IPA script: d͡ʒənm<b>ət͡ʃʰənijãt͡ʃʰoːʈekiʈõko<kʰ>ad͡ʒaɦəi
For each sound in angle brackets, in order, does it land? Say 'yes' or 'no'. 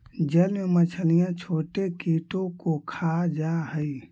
no, yes

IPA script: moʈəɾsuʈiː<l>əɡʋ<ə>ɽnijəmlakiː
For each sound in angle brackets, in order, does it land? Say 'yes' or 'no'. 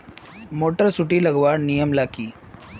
yes, no

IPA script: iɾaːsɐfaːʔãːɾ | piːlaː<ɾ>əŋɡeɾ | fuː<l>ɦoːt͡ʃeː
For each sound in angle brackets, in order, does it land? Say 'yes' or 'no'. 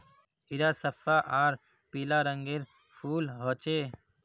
yes, yes

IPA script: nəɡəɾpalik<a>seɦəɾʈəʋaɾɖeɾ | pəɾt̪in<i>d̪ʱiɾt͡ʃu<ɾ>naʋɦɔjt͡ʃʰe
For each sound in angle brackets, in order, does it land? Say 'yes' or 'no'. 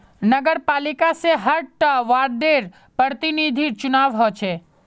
yes, yes, no

